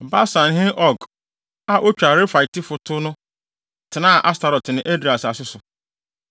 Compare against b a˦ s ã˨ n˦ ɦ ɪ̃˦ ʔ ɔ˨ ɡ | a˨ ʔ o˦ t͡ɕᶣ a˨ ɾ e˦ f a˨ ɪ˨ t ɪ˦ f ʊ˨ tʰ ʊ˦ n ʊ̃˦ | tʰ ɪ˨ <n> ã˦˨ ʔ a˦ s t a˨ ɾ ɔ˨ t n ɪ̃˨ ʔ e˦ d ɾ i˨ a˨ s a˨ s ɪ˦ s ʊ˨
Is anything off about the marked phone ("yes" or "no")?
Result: no